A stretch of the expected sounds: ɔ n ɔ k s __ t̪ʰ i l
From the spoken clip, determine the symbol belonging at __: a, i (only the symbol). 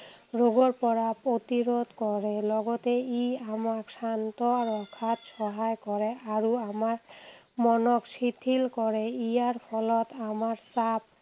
i